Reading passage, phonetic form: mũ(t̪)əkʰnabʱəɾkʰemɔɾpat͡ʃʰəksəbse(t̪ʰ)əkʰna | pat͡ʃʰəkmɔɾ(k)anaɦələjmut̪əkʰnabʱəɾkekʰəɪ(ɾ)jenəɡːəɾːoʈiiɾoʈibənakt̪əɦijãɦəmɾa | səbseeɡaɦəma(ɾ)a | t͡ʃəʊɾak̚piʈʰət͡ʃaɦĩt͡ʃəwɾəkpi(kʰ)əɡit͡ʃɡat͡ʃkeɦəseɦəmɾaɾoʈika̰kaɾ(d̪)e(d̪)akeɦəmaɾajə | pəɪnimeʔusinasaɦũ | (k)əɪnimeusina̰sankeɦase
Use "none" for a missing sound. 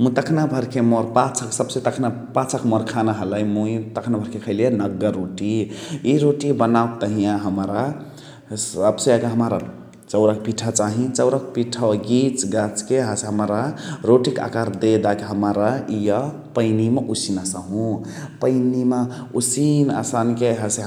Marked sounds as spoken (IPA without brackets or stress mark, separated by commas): t̪, t̪, kʰ, l, ɾ, ʈʰ, d̪, d̪, p